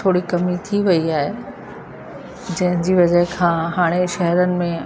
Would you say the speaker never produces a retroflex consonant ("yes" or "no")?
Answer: no